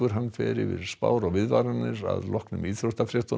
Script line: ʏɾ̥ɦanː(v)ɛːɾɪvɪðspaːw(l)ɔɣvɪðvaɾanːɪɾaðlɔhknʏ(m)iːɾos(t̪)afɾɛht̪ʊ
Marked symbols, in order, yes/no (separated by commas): no, no, yes, yes